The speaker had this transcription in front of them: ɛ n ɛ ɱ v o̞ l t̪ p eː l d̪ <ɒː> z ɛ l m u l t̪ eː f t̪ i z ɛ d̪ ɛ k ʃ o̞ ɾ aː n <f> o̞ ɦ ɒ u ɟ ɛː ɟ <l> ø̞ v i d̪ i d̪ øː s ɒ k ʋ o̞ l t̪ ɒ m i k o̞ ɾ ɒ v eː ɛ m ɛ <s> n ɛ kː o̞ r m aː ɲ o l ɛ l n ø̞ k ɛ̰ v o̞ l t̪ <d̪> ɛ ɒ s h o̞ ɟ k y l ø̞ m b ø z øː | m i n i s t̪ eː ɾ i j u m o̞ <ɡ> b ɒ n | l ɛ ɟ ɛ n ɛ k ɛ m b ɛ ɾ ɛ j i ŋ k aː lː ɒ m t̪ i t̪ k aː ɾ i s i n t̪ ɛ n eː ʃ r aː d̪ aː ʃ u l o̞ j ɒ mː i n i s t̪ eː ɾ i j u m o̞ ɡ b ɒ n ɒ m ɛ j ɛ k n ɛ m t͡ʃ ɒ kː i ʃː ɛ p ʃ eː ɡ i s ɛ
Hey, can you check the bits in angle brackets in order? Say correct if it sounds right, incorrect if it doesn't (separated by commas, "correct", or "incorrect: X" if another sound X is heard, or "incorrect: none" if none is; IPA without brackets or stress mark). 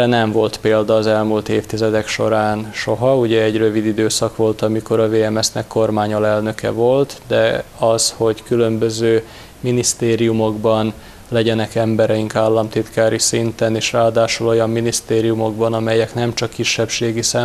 correct, incorrect: ʃ, incorrect: r, correct, correct, correct